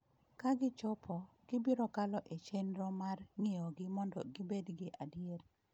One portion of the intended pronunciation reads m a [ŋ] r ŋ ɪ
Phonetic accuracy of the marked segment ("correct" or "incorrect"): incorrect